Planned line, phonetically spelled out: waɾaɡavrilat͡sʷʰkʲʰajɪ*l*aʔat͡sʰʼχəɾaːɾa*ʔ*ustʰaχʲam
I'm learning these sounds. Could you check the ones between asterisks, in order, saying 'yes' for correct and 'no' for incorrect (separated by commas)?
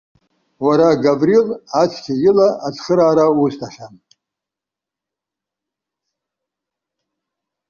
yes, no